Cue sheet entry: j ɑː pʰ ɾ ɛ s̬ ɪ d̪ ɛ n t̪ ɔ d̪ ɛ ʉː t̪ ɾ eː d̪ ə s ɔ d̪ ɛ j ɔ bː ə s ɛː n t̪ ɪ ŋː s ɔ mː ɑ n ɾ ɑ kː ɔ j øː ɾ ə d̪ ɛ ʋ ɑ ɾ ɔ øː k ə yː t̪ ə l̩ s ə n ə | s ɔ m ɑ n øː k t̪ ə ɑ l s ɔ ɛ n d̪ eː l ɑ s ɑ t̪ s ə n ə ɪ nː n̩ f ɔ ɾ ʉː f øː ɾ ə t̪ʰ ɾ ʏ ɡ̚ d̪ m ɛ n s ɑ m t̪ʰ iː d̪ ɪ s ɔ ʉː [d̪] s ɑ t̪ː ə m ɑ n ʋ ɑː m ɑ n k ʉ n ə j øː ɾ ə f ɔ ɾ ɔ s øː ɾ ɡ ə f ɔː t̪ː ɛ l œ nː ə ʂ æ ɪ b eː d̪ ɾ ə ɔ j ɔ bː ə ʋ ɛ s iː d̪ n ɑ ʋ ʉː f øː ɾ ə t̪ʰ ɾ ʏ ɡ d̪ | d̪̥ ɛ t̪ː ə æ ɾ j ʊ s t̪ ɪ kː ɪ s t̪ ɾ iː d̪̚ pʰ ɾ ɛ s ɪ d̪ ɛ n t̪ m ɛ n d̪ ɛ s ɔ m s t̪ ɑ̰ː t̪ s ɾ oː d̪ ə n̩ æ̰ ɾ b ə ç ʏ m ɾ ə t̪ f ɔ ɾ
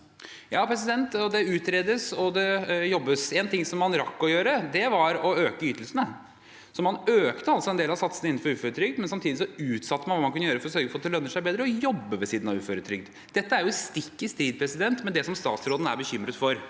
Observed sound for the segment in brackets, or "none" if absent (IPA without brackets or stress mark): t̪